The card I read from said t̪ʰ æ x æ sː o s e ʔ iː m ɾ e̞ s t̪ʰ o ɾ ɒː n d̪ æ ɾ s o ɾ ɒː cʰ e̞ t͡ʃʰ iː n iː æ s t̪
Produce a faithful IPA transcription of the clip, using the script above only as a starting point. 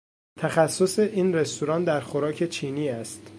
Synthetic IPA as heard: t̪ʰ æ x æ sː o s e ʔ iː n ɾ e̞ s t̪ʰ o ɾ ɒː n d̪ æ ɾ x o ɾ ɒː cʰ e̞ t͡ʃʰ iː n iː æ s t̪

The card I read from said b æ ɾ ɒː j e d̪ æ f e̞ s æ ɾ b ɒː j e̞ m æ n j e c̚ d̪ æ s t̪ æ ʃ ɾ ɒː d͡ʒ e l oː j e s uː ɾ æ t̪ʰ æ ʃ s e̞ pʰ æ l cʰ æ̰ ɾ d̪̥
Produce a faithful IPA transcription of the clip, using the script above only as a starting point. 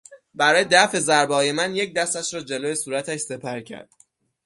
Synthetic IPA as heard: b æ ɾ ɒː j e d̪ æ f e̞ z æ ɾ b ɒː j e̞ m æ n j e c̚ d̪ æ s t̪ æ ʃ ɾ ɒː d͡ʒ e l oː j e s uː ɾ æ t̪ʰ æ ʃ s e̞ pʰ æ ɾ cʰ æ̰ ɾ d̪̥

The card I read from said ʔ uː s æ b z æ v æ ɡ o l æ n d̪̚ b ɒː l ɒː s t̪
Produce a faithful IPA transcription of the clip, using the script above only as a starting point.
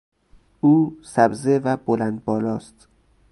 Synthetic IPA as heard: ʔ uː s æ b z e v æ b o l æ n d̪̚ b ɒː l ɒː s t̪

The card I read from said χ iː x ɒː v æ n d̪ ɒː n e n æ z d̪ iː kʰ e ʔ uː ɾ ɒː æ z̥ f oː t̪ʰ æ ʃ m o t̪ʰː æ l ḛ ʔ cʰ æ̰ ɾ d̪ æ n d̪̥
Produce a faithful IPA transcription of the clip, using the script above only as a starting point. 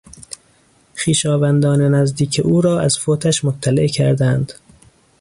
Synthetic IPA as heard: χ iː ʃ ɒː v æ n d̪ ɒː n e n æ z d̪ iː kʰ e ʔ uː ɾ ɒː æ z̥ f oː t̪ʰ æ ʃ m o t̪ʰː æ l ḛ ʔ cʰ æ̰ ɾ d̪ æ n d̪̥

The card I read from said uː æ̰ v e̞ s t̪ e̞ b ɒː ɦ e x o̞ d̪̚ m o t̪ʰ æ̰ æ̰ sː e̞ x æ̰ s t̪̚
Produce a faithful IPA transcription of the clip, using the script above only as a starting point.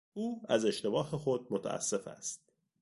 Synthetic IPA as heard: uː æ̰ z e̞ ʃ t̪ e̞ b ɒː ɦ e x o̞ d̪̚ m o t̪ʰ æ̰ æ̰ sː e̞ f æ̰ s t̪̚

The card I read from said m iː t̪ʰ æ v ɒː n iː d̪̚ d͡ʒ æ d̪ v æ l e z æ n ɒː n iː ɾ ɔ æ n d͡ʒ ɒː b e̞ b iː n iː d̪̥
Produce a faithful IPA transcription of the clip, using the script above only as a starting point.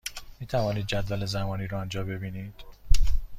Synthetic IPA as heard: m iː t̪ʰ æ v ɒː n iː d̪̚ d͡ʒ æ d̪ v æ l e z æ m ɒː n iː ɾ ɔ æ n d͡ʒ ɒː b e̞ b iː n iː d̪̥

